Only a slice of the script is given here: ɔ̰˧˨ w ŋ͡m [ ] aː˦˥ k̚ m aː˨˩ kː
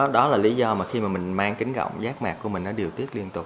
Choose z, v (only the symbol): z